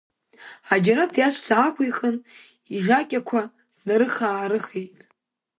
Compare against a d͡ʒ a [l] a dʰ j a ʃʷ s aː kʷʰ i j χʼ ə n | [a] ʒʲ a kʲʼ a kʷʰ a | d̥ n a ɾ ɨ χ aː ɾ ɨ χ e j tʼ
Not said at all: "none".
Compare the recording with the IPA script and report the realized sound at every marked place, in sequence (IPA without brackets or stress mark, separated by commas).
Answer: ɾ, i